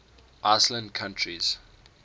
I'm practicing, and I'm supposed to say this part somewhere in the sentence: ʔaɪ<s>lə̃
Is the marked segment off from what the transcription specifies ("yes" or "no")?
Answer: no